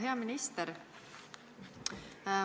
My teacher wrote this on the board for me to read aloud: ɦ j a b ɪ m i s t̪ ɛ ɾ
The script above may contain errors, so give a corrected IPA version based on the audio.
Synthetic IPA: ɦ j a m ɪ n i s t̪ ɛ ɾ